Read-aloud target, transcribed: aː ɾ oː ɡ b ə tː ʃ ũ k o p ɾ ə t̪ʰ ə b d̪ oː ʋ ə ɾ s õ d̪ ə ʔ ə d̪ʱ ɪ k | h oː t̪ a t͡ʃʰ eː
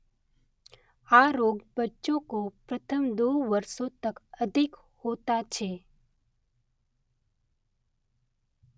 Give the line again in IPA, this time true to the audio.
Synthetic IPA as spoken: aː ɾ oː ɡ b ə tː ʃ õ k o p ɾ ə t̪ʰ ə m d̪ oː ʋ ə ɾ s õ t̪ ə k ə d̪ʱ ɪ k | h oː t̪ a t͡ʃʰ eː